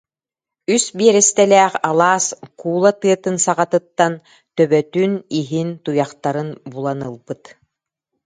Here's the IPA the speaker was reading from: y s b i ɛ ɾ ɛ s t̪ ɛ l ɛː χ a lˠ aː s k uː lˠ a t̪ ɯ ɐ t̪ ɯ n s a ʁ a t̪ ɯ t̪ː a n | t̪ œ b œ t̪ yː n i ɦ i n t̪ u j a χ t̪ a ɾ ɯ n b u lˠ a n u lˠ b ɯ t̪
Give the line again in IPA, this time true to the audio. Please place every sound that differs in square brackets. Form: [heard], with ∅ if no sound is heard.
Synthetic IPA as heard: y s b i ɛ ɾ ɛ s t̪ ɛ l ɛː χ a lˠ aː s k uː lˠ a t̪ ɯ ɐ t̪ ɯ n s a ʁ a t̪ ɯ t̪ː a n | t̪ œ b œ t̪ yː n i ɦ i n t̪ u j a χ t̪ a ɾ ɯ n b u lˠ a n [ɯ] lˠ b ɯ t̪

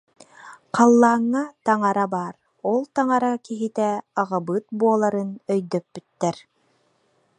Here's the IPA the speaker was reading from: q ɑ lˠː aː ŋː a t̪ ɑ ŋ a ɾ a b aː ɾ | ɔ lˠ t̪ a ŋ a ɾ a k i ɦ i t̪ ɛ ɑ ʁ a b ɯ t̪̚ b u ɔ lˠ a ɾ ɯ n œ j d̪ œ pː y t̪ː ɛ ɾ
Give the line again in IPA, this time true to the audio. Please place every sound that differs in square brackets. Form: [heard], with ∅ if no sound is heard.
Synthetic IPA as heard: q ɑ lˠː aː ŋː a t̪ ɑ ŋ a ɾ a b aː ɾ | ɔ lˠ t̪ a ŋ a ɾ a k i ɦ i t̪ ɛ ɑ ʁ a b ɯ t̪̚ b u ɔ lˠ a ɾ ɯ n œ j d̪ œ pː y t̪ː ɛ ɾ

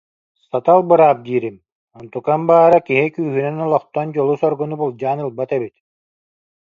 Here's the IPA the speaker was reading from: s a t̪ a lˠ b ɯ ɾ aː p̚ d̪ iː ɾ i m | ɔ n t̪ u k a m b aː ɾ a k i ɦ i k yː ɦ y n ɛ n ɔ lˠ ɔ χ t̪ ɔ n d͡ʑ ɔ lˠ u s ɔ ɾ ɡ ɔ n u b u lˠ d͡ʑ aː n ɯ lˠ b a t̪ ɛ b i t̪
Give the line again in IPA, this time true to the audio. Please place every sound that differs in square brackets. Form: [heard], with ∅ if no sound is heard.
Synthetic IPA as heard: s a t̪ a lˠ b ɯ ɾ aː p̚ d̪ iː ɾ i m | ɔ n t̪ u k a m b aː ɾ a k i ɦ i k yː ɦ y n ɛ n ɔ lˠ ɔ χ t̪ ɔ n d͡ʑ ɔ lˠ u s ɔ ɾ ɡ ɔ n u b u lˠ d͡ʑ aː n ɯ lˠ b a t̪ ɛ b i t̪

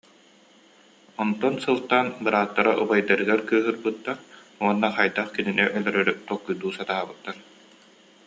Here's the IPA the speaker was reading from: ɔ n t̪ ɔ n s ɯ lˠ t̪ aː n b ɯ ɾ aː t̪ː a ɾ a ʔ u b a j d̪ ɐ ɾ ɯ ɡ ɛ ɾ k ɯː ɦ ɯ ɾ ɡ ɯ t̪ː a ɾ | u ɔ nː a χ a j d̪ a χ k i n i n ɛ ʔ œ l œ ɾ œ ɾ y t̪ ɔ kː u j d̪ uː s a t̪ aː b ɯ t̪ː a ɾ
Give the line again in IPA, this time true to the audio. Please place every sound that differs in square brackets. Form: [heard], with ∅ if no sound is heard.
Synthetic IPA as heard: ɔ n t̪ ɔ n s ɯ lˠ t̪ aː n b ɯ ɾ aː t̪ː a ɾ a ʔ u b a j d̪ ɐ ɾ ɯ ɡ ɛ ɾ k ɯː ɦ ɯ ɾ [b] ɯ t̪ː a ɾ | u ɔ nː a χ a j d̪ a χ k i n i n ɛ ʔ œ l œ ɾ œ ɾ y t̪ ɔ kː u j d̪ uː s a t̪ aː b ɯ t̪ː a ɾ

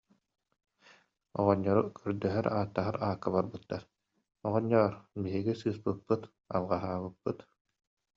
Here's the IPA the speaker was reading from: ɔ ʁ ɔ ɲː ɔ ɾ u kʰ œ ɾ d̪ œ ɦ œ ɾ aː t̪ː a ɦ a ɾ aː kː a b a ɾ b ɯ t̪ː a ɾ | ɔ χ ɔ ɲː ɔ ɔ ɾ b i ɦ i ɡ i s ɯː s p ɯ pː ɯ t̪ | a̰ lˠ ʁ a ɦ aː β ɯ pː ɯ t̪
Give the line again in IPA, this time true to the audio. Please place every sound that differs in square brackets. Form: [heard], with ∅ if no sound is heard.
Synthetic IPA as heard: ɔ ʁ ɔ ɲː ɔ ɾ u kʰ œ ɾ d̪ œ ɦ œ ɾ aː t̪ː a ɦ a ɾ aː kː a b a ɾ b ɯ t̪ː a ɾ | ɔ [ʁ] ɔ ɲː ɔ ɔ ɾ b i ɦ i ɡ i s ɯː s p ɯ pː ɯ t̪ | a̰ lˠ ʁ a ɦ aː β ɯ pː ɯ t̪

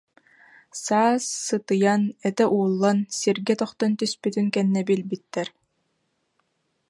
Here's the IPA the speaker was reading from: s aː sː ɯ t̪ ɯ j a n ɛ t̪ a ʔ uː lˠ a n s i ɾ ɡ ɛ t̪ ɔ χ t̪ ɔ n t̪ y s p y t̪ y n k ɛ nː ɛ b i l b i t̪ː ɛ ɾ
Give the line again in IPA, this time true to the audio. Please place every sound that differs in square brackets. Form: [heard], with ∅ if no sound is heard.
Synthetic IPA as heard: s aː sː ɯ t̪ ɯ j a n ɛ t̪ [ɛ] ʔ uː [lˠː] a n s i ɾ ɡ ɛ t̪ ɔ χ t̪ ɔ n t̪ y s p y t̪ y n k ɛ nː ɛ b i l b i t̪ː ɛ ɾ

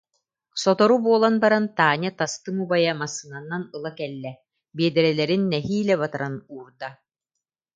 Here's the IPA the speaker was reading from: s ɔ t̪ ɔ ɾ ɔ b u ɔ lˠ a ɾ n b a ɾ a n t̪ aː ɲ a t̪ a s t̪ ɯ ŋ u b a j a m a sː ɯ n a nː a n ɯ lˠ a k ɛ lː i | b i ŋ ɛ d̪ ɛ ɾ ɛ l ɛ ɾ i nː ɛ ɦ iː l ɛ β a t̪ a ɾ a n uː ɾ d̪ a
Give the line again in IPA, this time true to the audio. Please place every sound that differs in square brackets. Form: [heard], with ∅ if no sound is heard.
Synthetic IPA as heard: s ɔ t̪ ɔ ɾ [u] b u ɔ lˠ a [∅] n b a ɾ a n t̪ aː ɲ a t̪ a s t̪ ɯ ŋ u b a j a m a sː ɯ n a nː a n ɯ lˠ a k ɛ lː [ɛ] | b i [∅] ɛ d̪ ɛ ɾ ɛ l ɛ ɾ i nː ɛ ɦ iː l ɛ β a t̪ a ɾ a n uː ɾ d̪ a

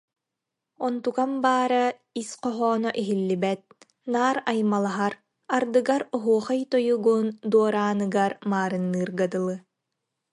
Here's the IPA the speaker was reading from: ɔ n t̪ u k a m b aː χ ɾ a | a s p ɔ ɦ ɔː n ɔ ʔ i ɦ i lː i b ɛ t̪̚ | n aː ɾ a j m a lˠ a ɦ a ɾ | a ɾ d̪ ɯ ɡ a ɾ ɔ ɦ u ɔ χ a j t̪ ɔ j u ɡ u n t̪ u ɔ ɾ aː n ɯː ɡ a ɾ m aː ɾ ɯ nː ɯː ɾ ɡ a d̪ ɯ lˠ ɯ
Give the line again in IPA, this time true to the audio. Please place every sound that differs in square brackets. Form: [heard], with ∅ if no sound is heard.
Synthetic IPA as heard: ɔ n t̪ u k a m b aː [∅] ɾ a | [i] s [q] ɔ ɦ ɔː n ɔ ʔ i ɦ i lː i b ɛ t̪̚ | n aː ɾ a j m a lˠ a ɦ a ɾ | a ɾ d̪ ɯ ɡ a ɾ ɔ ɦ u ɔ χ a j t̪ ɔ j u ɡ u n [d̪] u ɔ ɾ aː n [ɯ] ɡ a ɾ m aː ɾ ɯ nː ɯː ɾ ɡ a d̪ ɯ lˠ ɯ

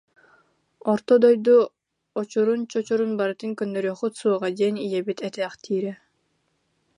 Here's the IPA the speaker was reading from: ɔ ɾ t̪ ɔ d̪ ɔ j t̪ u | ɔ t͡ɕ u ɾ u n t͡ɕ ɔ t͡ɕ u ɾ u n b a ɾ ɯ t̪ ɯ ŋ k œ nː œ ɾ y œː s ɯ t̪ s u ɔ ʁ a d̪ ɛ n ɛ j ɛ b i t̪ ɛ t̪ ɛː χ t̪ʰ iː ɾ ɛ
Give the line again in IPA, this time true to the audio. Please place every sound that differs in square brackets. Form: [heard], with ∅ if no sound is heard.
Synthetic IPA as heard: ɔ ɾ t̪ ɔ d̪ ɔ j [d̪] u | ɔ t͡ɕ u ɾ u n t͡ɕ ɔ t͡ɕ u ɾ u n b a ɾ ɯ t̪ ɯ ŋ k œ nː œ ɾ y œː [χ] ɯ t̪ s u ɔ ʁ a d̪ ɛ n [i] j ɛ b i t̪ ɛ t̪ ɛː χ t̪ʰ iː ɾ ɛ

